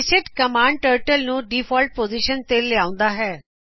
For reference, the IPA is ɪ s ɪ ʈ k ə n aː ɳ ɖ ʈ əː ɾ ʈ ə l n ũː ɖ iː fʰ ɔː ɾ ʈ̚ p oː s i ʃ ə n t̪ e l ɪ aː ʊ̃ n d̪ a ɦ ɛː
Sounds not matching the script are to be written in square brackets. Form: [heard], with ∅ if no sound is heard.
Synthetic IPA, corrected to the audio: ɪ s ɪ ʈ k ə [m] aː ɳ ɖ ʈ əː ɾ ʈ ə l n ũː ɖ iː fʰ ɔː [l] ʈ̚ p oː [z] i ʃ ə n t̪ e l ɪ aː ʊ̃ n d̪ a ɦ ɛː